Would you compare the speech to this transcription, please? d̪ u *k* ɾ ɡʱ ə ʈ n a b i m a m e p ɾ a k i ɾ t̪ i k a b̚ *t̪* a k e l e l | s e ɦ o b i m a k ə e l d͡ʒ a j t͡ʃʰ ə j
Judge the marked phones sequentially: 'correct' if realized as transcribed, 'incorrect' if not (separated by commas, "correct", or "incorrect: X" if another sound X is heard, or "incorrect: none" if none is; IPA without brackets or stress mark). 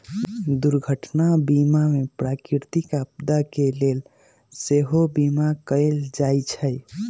incorrect: none, incorrect: d̪